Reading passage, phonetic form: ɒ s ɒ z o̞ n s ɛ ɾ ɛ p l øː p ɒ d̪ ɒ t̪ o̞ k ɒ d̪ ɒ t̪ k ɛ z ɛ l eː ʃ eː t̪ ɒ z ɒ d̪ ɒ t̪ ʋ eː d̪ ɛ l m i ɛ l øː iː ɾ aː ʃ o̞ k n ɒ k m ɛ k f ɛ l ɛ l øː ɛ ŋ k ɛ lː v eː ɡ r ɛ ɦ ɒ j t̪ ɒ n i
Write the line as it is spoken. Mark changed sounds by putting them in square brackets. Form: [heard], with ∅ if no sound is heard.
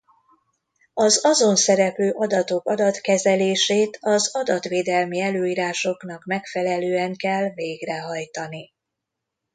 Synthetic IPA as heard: ɒ [z] ɒ z o̞ n s ɛ ɾ ɛ p l øː [ʔ] ɒ d̪ ɒ t̪ o̞ k ɒ d̪ ɒ t̪ k ɛ z ɛ l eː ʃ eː t̪ ɒ z ɒ d̪ ɒ t̪ ʋ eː d̪ ɛ l m i ɛ l øː iː ɾ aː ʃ o̞ k n ɒ k m ɛ k f ɛ l ɛ l øː ɛ ŋ k ɛ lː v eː ɡ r ɛ ɦ ɒ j t̪ ɒ n i